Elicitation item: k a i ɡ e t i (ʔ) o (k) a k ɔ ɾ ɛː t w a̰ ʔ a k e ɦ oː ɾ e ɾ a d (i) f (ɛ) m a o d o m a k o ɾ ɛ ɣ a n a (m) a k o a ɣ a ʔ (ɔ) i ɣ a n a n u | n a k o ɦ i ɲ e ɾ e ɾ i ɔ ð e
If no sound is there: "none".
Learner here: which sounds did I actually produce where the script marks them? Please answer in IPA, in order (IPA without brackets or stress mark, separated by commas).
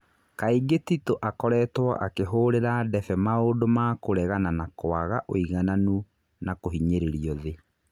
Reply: t, ʔ, ɛ, ɛ, n, o